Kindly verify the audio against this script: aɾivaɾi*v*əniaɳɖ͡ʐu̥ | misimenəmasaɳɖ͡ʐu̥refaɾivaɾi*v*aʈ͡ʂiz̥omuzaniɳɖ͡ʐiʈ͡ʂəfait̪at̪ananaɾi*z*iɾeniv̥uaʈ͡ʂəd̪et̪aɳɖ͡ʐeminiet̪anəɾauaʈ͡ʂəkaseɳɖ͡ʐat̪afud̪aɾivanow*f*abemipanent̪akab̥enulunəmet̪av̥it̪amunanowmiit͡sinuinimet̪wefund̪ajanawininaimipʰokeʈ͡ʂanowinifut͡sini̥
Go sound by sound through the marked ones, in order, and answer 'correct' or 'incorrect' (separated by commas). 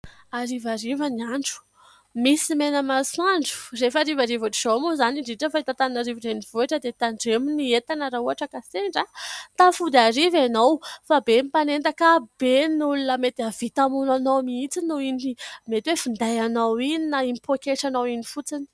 correct, correct, incorrect, correct